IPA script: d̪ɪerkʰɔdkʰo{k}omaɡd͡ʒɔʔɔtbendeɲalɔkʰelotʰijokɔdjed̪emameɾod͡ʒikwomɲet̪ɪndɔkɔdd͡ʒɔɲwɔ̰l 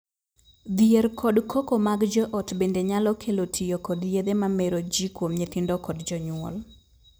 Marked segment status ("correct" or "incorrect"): correct